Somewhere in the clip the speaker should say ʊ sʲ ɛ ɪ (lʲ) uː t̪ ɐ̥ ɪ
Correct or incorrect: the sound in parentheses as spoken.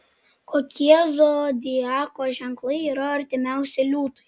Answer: correct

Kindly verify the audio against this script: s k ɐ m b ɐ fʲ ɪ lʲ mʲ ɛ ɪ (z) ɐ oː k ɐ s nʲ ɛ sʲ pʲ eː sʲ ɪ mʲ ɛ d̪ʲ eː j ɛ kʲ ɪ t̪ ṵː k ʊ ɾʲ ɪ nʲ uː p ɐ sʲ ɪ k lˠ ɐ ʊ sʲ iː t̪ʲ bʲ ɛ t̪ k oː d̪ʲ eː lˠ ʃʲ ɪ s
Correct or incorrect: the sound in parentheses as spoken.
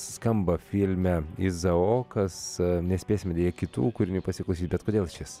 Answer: correct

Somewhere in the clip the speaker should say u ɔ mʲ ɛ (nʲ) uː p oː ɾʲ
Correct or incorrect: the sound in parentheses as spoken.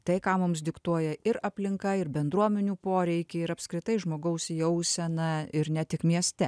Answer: correct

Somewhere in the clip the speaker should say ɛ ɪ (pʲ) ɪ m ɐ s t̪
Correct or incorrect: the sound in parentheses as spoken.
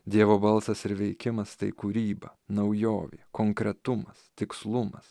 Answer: incorrect: kʲ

